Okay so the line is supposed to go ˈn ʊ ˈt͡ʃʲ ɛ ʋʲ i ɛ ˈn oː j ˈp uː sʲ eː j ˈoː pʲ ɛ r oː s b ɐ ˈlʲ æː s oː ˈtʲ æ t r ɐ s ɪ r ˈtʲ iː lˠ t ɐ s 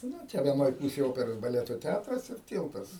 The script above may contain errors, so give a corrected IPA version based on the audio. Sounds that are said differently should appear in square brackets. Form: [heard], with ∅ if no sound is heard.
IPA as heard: ˈn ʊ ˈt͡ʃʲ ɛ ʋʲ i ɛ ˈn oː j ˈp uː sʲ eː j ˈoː pʲ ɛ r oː s b ɐ ˈlʲ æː [t] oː ˈtʲ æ t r ɐ s ɪ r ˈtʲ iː lˠ t ɐ s